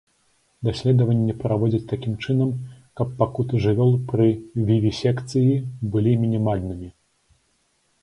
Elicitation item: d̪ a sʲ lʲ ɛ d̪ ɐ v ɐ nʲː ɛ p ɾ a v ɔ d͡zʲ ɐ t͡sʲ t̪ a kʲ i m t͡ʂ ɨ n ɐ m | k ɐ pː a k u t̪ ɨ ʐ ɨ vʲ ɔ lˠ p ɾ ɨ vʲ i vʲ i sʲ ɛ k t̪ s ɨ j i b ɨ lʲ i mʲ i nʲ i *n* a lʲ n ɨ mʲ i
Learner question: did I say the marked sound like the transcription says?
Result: no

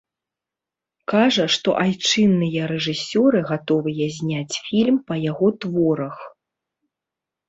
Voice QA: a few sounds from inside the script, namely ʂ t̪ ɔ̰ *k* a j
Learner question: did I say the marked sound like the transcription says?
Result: no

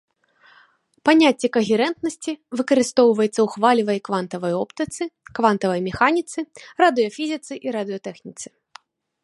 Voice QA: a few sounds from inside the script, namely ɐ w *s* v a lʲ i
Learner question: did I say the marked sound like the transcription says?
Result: no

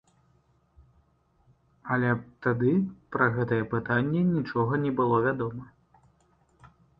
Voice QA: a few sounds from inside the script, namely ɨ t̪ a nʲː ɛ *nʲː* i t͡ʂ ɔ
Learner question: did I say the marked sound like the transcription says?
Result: no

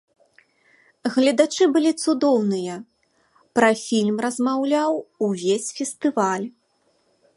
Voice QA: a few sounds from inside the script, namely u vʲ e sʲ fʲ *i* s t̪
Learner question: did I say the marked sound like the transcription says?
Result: no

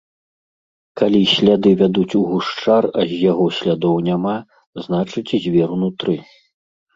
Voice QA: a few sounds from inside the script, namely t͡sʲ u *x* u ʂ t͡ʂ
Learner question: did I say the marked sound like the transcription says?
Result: no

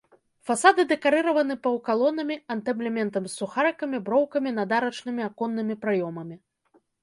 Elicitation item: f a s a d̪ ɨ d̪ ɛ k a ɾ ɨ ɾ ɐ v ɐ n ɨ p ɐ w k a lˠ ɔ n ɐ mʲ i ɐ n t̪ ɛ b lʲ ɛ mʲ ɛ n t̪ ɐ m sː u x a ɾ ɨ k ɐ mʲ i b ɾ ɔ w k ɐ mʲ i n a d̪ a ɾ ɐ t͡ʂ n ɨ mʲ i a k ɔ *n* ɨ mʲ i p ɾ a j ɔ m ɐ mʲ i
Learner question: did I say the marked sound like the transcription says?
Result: no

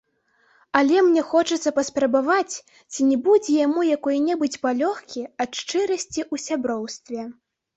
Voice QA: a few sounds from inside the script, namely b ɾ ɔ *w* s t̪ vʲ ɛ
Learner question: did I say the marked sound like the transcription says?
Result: yes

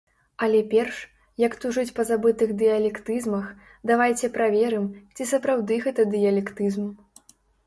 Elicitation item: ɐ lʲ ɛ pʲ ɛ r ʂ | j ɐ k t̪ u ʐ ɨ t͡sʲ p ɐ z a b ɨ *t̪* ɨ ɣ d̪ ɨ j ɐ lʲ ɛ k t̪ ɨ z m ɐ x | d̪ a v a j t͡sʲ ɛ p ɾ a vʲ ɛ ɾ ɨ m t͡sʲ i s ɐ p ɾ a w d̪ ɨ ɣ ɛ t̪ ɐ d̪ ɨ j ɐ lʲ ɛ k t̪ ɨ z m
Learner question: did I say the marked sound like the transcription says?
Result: yes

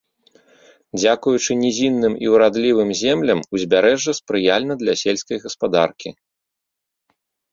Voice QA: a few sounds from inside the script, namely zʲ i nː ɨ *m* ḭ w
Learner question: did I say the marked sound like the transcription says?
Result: yes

